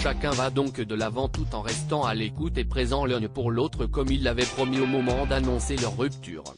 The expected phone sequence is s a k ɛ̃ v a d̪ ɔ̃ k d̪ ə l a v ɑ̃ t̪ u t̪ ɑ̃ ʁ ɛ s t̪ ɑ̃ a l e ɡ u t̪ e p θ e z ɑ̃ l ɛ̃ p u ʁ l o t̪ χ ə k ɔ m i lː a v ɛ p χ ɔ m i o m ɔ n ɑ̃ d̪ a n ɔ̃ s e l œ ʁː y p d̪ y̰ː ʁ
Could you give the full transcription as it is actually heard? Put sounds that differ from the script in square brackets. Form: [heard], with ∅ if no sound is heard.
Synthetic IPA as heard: [ʃ] a k ɛ̃ v a d̪ ɔ̃ k d̪ ə l a v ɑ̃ t̪ u t̪ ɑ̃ ʁ ɛ s t̪ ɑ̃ a l e [k] u t̪ e p [χ] e z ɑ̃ l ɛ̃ p u ʁ l o t̪ χ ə k ɔ m i lː a v ɛ p χ ɔ m i o m ɔ [m] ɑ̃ d̪ a n ɔ̃ s e l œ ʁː y p [t̪] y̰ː ʁ